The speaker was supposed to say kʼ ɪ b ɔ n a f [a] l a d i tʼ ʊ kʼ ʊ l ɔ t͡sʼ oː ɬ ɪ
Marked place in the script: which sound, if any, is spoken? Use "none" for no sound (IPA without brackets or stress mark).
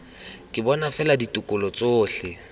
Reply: ɛ